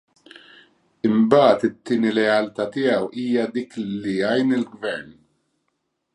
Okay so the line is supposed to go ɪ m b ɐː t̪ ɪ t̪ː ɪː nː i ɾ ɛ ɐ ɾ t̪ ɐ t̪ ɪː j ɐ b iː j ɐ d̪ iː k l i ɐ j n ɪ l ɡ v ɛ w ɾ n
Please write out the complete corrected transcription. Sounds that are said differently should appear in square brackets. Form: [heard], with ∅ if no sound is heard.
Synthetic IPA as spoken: ɪ m b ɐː t̪ ɪ t̪ː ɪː [n] i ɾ ɛ ɐ [l] t̪ ɐ t̪ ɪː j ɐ [w] iː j ɐ d̪ iː k l i ɐ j n ɪ l ɡ v ɛ [∅] ɾ n